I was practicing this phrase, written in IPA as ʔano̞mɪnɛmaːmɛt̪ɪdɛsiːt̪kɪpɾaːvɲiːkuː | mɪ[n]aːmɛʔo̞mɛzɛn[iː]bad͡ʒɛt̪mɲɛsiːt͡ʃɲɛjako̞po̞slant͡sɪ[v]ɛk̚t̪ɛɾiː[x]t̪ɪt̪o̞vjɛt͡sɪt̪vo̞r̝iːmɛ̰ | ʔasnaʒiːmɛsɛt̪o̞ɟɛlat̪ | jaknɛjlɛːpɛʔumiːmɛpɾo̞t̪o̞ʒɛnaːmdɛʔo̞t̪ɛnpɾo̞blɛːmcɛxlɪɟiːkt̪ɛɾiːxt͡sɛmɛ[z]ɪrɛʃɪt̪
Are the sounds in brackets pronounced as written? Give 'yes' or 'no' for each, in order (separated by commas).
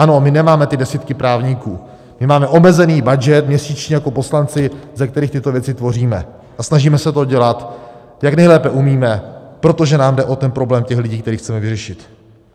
no, yes, no, yes, no